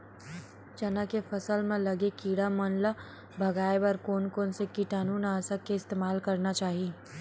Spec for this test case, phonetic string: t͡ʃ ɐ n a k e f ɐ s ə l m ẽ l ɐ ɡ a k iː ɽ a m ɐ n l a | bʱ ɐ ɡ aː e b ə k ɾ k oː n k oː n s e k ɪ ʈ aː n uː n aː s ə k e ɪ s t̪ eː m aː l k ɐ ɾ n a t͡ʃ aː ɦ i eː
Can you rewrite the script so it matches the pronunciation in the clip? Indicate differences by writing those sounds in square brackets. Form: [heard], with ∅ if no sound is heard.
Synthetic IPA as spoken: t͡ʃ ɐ n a k e f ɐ s ə l m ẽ l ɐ ɡ [e] k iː ɽ a m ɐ n l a | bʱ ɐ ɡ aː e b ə [∅] ɾ k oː n k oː n s e k [i] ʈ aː n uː n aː s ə k e ɪ s t̪ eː m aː l k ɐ ɾ n a t͡ʃ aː ɦ i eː